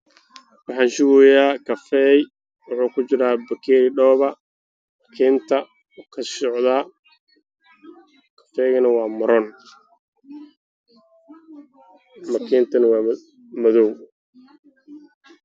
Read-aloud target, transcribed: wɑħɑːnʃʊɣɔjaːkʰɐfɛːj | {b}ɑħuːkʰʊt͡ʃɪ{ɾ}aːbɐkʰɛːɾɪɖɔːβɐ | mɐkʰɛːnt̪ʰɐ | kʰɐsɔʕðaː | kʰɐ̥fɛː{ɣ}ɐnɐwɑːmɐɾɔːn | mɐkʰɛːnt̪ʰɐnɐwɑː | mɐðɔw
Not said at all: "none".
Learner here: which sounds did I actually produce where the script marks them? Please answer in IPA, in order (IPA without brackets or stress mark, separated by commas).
w, ɾ, ɣ